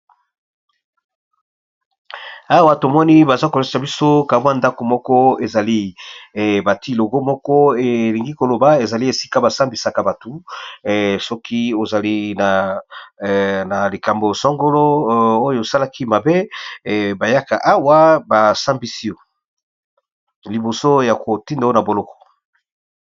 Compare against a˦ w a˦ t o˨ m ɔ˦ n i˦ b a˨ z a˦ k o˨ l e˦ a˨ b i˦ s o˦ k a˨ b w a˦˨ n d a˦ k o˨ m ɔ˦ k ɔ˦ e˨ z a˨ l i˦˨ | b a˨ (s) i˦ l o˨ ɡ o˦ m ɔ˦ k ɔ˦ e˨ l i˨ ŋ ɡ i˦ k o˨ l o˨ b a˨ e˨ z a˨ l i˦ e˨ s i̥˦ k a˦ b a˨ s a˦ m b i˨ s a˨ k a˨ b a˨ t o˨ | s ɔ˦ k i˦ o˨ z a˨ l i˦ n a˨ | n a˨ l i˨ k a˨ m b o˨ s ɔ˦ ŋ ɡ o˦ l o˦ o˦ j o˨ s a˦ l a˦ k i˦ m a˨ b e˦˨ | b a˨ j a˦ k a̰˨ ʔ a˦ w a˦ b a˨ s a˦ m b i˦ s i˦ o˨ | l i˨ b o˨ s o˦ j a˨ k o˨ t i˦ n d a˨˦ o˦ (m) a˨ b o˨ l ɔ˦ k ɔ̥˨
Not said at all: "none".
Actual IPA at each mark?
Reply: t, n

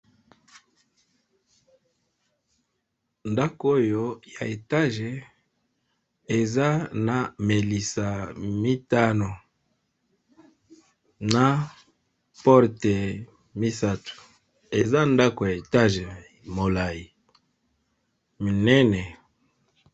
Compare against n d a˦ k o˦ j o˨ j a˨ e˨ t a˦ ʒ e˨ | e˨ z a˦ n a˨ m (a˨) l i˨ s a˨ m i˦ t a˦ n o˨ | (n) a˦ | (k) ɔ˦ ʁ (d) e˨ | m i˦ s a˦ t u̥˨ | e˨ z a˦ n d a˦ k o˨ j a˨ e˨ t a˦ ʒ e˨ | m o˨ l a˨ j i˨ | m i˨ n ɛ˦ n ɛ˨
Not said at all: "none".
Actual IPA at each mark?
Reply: e˨, n, p, t

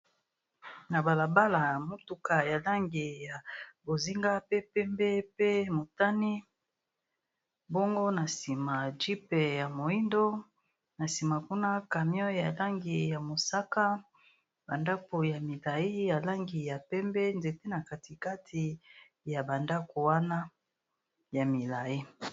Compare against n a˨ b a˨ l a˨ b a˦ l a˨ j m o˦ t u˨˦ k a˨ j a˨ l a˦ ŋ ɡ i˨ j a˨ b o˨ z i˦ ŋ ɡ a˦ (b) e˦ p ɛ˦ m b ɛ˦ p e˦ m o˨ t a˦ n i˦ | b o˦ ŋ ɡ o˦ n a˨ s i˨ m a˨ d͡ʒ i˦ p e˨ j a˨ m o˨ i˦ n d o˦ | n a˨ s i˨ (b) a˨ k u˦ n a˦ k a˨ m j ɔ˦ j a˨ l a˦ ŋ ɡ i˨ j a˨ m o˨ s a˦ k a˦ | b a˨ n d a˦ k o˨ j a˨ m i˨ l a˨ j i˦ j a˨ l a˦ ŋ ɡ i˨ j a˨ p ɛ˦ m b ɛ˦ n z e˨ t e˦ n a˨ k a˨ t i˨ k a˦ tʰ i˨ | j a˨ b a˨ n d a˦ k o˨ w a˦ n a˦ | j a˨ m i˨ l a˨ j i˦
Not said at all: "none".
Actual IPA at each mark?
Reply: p, m

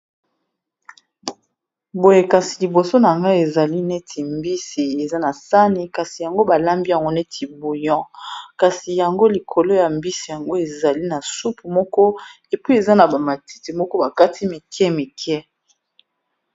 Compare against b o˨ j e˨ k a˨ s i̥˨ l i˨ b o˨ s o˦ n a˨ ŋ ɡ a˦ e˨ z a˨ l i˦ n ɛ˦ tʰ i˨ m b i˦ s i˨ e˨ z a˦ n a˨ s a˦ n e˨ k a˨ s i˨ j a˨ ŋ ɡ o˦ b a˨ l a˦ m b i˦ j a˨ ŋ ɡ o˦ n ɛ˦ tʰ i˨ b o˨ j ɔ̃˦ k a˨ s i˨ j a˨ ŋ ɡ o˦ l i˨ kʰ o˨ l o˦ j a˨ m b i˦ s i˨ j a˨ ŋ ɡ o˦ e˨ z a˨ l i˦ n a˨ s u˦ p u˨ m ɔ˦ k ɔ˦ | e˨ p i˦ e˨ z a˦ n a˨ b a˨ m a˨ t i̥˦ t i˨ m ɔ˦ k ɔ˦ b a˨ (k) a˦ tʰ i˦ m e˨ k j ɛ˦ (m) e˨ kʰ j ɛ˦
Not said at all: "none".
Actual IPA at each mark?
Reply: k, m

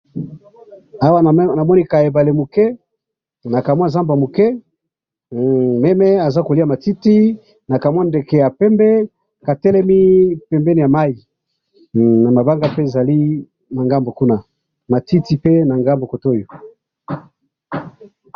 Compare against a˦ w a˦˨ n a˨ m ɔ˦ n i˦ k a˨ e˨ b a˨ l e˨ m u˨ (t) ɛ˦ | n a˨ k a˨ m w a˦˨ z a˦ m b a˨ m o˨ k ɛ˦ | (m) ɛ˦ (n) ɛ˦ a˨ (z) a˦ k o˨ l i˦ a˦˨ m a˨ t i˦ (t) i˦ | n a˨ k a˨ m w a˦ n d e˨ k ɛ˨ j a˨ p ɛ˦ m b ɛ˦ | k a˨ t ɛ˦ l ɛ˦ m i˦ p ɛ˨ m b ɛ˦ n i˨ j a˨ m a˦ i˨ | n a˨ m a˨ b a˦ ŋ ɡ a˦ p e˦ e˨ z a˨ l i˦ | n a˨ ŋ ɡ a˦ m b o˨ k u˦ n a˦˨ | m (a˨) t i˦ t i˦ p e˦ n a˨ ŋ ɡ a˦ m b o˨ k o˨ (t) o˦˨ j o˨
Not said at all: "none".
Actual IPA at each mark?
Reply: k, m, m, z, t, a˨, t

